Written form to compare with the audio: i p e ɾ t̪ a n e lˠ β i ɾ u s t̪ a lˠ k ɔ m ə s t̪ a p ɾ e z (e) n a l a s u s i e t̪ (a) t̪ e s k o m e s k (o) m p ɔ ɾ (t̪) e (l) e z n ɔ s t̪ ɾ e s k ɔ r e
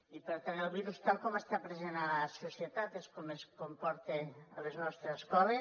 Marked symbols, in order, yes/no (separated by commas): yes, yes, yes, yes, yes